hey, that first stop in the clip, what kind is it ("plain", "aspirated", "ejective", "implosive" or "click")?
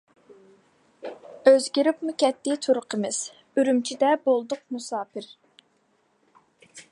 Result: plain